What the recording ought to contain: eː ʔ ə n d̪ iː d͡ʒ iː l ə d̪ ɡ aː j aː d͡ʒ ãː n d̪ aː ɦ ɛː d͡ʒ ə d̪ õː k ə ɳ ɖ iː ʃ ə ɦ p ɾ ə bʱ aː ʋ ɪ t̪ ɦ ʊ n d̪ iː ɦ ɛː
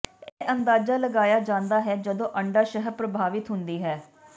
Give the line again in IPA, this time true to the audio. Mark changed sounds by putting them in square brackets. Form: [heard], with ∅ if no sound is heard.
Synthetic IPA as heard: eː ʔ ə n d̪ [aː] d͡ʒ [aː] l ə [∅] ɡ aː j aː d͡ʒ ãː n d̪ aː ɦ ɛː d͡ʒ ə d̪ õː [ʔ] ə ɳ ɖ [aː] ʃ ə ɦ p ɾ ə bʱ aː ʋ ɪ t̪ ɦ ʊ n d̪ iː ɦ ɛː